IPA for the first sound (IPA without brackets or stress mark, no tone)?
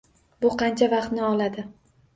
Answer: b